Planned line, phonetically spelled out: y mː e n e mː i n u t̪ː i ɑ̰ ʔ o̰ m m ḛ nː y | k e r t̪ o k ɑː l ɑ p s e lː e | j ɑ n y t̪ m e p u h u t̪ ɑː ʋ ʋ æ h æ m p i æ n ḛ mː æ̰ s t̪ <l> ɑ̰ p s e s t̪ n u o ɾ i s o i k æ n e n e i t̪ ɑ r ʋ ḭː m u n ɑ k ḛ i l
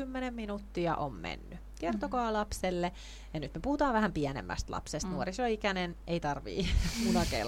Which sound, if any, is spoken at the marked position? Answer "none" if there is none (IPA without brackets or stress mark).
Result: l